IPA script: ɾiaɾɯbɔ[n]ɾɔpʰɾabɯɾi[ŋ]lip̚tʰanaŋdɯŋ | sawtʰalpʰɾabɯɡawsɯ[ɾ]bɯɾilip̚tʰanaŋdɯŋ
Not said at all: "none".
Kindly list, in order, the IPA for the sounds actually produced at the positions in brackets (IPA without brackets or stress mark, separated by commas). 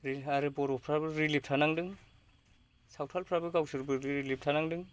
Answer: none, none, ɾ